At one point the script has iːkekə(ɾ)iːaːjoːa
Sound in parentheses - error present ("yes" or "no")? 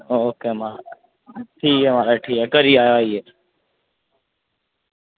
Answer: no